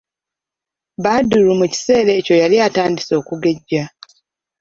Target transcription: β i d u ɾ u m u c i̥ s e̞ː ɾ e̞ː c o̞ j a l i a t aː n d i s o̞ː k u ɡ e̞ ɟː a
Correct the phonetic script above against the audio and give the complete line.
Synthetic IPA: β a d u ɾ u m u c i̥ s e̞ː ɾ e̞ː c o̞ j a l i a t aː n d i s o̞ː k u ɡ e̞ ɟː a